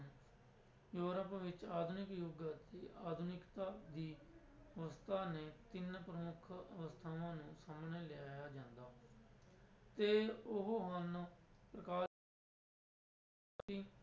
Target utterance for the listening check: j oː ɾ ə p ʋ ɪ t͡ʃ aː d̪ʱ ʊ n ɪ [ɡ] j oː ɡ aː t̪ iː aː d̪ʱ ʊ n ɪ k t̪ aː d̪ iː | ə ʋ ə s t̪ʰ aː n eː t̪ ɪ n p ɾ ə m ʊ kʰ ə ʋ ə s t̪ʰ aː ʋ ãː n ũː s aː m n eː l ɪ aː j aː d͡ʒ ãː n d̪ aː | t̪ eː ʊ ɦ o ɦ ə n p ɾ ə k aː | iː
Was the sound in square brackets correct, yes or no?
no